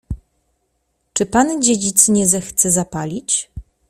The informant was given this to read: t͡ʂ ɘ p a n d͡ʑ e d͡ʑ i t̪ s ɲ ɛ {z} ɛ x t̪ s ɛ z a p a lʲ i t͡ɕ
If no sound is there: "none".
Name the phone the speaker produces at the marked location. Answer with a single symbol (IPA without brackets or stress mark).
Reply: z